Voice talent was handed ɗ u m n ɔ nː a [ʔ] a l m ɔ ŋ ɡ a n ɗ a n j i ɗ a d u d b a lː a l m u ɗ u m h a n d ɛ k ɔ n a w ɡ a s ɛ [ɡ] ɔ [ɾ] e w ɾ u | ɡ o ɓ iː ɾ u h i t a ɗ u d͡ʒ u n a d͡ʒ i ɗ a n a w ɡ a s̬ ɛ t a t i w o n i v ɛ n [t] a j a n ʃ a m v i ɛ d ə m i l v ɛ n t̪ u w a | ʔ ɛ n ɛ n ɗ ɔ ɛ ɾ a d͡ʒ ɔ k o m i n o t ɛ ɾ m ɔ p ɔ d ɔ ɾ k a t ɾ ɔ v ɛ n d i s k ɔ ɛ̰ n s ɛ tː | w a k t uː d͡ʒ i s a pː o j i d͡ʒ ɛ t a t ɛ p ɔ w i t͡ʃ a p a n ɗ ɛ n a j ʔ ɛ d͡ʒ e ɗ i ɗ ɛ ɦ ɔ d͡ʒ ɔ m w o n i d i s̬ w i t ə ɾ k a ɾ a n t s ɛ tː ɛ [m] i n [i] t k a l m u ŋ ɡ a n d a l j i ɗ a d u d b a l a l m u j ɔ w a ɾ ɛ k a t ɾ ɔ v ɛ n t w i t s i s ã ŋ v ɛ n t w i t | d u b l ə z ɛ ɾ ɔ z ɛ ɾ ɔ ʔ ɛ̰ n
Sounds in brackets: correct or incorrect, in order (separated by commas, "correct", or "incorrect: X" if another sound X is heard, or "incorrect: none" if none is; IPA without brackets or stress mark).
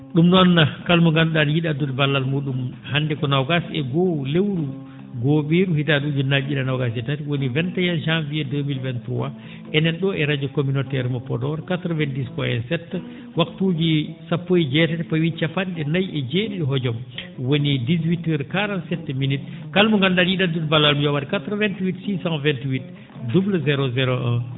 incorrect: k, correct, incorrect: l, correct, correct, correct